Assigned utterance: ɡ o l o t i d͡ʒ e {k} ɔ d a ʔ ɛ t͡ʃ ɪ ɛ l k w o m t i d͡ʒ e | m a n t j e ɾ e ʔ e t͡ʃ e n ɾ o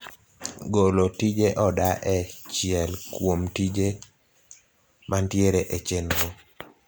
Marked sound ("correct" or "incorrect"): incorrect